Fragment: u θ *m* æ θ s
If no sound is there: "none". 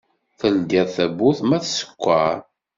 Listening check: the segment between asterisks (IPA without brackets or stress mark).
m